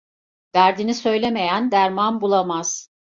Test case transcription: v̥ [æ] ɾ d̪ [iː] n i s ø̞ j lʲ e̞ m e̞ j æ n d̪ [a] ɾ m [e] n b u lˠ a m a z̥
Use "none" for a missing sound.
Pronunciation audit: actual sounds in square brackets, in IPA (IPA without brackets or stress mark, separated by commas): æ, i, æ, a